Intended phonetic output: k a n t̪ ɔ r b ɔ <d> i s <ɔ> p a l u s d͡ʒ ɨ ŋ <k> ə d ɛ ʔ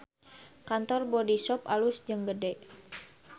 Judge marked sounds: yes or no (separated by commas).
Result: yes, yes, no